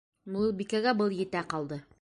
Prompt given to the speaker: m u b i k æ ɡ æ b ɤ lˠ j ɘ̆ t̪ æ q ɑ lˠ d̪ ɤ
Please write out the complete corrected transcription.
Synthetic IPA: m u b i k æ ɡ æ b ɤ lˠ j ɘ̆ t̪ æ q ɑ lˠ d̪ ɤ